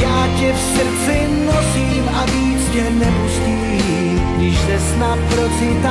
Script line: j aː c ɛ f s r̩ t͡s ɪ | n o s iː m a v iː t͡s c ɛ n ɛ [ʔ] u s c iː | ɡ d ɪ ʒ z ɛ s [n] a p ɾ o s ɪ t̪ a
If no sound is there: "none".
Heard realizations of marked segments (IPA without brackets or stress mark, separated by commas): p, n